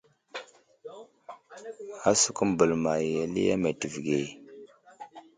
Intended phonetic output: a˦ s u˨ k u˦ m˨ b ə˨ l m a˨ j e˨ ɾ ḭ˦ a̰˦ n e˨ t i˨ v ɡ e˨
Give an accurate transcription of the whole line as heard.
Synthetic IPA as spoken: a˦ s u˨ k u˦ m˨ b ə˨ l m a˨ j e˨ l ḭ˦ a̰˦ m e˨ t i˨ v ɡ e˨